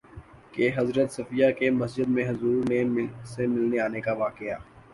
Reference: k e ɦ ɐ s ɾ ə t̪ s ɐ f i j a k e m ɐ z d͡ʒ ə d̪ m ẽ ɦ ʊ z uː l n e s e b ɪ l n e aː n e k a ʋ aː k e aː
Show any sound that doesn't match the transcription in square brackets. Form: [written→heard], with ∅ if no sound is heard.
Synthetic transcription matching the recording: k e ɦ ɐ [s→z] ɾ ə t̪ s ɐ f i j a k e m ɐ [z→s] d͡ʒ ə d̪ m ẽ ɦ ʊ z uː [l→ɾ] n e s e [b→m] ɪ l n e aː n e k a ʋ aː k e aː

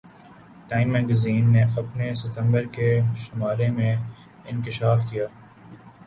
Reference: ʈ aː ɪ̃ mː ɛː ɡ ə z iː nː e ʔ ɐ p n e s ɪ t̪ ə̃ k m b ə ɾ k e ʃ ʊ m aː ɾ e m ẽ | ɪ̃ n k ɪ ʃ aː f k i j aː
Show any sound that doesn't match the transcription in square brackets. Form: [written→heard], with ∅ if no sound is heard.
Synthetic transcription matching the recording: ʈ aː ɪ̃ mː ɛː ɡ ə z iː nː e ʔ ɐ p n e s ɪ t̪ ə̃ [k→∅] m b ə ɾ k e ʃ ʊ m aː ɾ e m ẽ | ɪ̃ n k ɪ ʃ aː f k i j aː

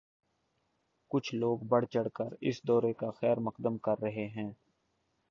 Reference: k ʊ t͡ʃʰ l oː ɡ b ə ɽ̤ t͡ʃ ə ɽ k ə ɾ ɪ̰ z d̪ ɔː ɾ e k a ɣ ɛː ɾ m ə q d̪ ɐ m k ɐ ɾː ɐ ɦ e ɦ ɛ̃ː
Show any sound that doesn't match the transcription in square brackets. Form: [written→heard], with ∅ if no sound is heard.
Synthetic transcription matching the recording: k ʊ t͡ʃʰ l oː ɡ b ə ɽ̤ t͡ʃ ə ɽ k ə ɾ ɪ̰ [z→s] d̪ ɔː ɾ e k a [ɣ→x] ɛː ɾ m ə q d̪ [ɐ→ə] m k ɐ ɾː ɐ ɦ e ɦ ɛ̃ː

